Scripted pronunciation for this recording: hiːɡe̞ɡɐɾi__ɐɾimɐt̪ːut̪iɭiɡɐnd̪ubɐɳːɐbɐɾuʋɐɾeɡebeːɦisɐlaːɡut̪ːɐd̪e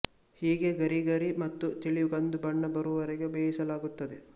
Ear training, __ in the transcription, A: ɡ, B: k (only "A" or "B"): A